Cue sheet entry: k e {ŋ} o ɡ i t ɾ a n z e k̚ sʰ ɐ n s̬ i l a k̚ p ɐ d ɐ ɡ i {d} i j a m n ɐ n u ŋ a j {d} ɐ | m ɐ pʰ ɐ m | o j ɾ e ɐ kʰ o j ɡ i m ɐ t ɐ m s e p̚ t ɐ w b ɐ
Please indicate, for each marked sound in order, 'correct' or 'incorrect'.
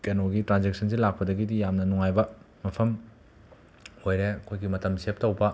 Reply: incorrect: n, correct, incorrect: b

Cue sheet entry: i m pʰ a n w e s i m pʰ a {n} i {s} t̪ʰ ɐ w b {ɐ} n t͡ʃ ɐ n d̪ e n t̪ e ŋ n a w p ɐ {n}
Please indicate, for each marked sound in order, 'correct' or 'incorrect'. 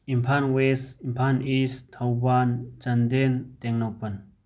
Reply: correct, correct, incorrect: a, correct

